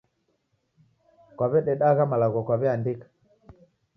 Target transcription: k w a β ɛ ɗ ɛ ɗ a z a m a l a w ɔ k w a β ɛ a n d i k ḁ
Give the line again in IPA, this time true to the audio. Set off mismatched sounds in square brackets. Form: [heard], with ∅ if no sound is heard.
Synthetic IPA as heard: k w a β ɛ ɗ ɛ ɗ a [ɣ] a m a l a [ɣ] ɔ k w a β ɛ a n d i k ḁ